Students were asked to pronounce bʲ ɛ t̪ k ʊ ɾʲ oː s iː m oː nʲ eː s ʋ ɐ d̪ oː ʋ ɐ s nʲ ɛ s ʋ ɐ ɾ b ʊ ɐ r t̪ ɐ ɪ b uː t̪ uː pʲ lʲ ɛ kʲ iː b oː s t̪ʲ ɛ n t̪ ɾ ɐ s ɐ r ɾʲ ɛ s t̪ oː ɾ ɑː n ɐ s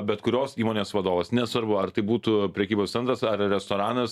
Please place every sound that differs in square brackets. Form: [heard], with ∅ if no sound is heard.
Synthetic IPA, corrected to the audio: bʲ ɛ t̪ k ʊ ɾʲ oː s iː m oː nʲ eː s ʋ ɐ d̪ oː ʋ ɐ s nʲ ɛ s ʋ ɐ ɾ b ʊ ɐ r t̪ ɐ ɪ b uː t̪ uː pʲ [ɾʲ] ɛ kʲ iː b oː s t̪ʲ ɛ n t̪ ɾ ɐ s ɐ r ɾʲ ɛ s t̪ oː ɾ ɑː n ɐ s